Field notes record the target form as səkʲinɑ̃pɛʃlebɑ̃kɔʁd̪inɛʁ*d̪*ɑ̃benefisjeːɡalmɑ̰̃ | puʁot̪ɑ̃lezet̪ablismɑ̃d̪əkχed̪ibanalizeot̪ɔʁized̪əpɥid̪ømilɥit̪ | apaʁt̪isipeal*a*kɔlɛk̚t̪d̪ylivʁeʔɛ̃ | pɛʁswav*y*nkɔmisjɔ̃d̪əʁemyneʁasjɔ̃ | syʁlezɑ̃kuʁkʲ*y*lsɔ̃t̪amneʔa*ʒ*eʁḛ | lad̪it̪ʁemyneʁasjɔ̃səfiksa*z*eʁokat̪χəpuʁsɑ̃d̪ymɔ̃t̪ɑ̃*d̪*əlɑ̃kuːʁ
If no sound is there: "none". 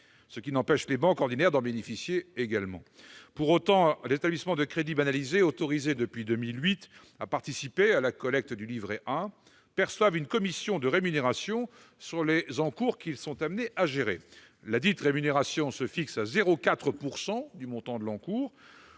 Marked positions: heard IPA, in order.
d̪, a, y, i, ʒ, z, d̪

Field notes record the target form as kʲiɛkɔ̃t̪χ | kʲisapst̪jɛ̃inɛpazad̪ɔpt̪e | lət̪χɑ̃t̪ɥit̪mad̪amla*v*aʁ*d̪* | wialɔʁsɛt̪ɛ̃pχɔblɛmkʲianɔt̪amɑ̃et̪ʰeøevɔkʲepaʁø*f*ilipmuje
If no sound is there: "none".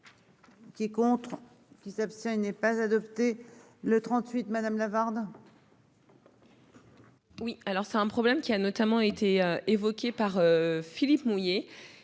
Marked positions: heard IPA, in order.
v, d̪, f

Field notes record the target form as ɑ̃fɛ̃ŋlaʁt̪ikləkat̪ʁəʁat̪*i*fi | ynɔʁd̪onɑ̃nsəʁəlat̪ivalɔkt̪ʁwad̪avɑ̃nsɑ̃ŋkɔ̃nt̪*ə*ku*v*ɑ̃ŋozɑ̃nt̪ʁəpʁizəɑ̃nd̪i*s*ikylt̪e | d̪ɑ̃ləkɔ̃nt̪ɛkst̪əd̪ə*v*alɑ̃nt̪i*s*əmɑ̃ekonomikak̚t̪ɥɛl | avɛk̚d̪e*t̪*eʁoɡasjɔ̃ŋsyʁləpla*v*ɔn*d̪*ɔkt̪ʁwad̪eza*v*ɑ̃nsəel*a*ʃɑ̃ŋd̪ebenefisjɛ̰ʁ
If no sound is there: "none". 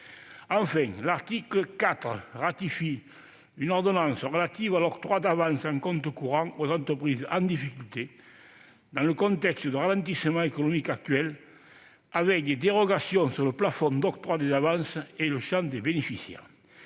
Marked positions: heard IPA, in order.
i, ə, ʁ, f, ʁ, s, d̪, f, d̪, v, ə

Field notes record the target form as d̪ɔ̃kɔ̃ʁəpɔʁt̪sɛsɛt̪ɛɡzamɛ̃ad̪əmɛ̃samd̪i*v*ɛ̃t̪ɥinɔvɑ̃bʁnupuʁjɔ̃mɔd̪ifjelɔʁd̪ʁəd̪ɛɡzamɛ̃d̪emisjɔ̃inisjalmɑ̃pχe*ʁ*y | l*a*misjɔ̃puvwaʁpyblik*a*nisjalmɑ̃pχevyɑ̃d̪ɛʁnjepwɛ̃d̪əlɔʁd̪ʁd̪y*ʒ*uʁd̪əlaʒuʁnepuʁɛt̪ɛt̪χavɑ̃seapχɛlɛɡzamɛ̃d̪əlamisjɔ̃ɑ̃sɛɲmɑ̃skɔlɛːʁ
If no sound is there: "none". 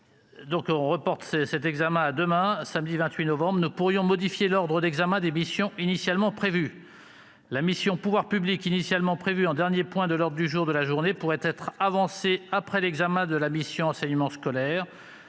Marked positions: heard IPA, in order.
v, v, a, i, ʒ

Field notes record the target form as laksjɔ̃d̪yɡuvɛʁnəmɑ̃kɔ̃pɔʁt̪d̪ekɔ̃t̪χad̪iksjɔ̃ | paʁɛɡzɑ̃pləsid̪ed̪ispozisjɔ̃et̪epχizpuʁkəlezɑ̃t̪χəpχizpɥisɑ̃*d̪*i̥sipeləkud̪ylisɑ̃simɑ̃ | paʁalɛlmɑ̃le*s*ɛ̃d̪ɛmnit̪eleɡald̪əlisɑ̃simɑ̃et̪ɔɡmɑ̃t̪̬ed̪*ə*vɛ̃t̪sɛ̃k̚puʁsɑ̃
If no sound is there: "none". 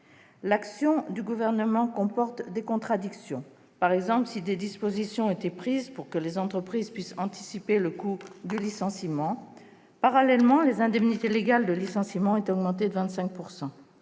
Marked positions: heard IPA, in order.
t̪, z, ə

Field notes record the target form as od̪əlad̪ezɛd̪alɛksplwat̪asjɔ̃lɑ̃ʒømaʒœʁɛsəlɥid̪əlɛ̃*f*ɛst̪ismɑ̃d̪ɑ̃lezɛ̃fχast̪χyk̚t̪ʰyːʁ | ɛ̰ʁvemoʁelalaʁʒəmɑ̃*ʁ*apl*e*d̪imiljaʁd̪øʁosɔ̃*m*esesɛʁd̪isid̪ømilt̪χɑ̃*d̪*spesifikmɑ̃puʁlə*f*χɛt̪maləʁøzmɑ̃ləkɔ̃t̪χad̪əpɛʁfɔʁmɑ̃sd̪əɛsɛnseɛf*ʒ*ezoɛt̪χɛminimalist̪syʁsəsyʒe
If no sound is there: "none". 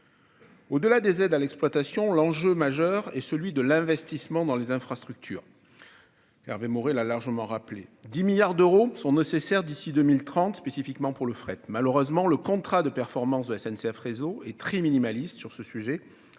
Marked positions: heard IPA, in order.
v, ʁ, e, n, t̪, f, ʁ

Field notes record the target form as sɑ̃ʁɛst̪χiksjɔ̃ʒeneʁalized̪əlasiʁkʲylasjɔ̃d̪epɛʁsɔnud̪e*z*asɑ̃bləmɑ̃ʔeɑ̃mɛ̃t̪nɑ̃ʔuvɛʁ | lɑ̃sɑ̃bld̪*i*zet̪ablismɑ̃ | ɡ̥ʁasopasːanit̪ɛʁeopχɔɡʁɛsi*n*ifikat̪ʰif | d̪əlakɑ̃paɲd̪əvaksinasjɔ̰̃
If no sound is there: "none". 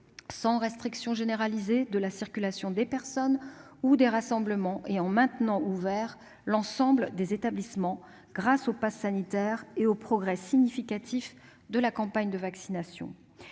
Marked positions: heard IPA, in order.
ʁ, e, ɲ

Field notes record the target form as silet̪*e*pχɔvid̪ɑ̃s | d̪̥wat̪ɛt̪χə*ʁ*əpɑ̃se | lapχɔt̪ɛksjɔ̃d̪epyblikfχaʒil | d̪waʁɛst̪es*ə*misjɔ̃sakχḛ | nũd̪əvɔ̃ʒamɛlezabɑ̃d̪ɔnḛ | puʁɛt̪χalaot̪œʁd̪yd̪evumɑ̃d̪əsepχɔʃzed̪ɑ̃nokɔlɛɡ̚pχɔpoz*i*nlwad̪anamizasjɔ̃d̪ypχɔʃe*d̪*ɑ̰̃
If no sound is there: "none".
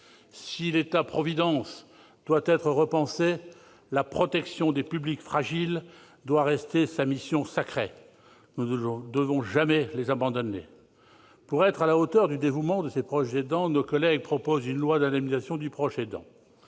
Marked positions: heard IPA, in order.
a, ʁ, a, y, d̪

